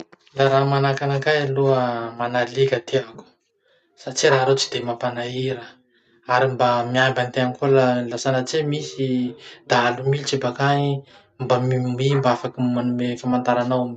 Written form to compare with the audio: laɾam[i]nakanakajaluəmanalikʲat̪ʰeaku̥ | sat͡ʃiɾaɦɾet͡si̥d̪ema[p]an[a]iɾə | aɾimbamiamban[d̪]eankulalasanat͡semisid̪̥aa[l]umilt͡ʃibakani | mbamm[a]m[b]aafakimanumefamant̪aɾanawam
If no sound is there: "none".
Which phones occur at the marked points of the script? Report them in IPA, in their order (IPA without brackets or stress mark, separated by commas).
a, p, a, t̪, l, i, b